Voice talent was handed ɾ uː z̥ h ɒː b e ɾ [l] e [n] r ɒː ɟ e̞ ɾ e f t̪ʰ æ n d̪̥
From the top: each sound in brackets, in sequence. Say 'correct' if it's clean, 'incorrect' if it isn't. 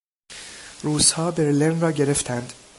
correct, correct

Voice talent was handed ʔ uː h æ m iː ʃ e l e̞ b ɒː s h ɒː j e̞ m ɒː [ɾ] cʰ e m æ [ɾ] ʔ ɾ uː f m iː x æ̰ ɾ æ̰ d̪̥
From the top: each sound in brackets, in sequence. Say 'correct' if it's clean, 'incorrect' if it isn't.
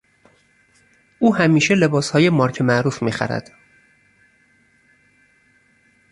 correct, incorrect: none

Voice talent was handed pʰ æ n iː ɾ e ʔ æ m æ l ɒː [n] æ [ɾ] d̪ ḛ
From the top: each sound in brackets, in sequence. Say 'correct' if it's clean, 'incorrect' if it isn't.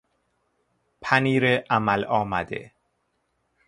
incorrect: m, incorrect: none

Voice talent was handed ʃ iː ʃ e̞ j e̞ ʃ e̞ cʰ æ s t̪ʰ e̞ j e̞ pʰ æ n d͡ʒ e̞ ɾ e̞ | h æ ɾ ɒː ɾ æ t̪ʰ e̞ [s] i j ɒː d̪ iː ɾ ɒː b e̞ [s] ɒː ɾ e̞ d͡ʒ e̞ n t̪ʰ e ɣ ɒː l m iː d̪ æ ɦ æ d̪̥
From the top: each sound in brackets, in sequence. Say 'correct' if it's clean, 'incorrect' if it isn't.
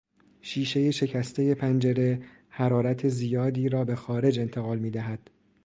incorrect: z, incorrect: x

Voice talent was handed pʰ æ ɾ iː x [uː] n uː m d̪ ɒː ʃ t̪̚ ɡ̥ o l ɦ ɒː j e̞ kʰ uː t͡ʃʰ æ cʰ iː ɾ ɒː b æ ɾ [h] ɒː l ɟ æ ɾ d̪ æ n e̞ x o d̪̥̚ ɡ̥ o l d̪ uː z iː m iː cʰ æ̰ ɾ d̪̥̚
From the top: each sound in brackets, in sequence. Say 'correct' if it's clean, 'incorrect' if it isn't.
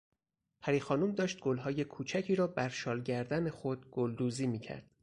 incorrect: ɒː, incorrect: ʃ

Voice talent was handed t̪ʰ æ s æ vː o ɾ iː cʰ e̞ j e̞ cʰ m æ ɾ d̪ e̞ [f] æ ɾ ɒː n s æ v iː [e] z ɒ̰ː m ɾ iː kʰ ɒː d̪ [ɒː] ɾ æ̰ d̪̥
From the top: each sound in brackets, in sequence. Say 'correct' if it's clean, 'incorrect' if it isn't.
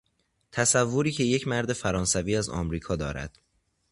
correct, incorrect: æ, correct

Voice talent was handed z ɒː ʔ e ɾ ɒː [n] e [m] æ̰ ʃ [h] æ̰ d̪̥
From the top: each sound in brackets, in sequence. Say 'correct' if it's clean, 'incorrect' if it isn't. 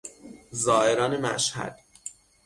correct, correct, correct

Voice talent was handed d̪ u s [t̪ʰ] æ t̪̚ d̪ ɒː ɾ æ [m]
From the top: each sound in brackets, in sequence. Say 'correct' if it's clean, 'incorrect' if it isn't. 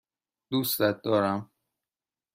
incorrect: t̪, correct

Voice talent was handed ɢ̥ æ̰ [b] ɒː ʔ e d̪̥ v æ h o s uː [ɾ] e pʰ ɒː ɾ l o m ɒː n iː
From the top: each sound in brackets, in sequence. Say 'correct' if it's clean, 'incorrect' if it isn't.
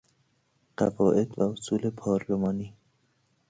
incorrect: v, incorrect: l

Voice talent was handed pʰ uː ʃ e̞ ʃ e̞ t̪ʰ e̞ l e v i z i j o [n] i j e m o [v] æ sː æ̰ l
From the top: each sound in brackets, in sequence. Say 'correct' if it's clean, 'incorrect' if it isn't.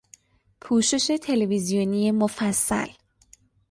correct, incorrect: f

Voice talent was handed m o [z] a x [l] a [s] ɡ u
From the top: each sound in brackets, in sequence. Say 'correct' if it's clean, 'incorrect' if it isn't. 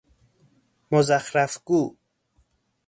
correct, incorrect: ɾ, incorrect: f

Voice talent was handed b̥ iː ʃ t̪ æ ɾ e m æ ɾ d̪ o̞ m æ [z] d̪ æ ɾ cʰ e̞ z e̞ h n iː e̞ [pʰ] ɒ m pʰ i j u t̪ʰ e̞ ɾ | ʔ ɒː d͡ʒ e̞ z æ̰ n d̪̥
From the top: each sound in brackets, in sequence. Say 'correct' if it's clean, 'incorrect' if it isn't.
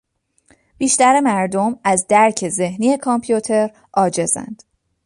correct, incorrect: kʰ

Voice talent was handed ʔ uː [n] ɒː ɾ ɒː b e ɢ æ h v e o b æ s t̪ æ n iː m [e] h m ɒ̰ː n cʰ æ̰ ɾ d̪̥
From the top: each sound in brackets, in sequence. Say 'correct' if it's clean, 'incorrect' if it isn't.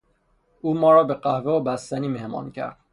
incorrect: m, correct

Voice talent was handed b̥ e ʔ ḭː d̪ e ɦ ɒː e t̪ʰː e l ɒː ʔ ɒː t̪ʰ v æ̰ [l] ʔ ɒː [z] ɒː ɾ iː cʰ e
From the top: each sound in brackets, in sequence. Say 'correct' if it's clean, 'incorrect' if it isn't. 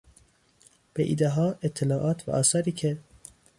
incorrect: none, incorrect: s

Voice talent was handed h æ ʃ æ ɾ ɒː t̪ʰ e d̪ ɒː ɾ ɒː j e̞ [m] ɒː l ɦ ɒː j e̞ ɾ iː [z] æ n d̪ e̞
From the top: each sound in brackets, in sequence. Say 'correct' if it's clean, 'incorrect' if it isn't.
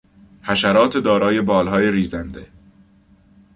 incorrect: b, correct

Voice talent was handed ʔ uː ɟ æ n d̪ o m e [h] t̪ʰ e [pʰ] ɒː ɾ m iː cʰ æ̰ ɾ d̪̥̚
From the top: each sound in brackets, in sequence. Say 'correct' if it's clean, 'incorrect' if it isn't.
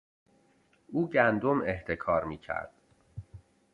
correct, incorrect: kʰ

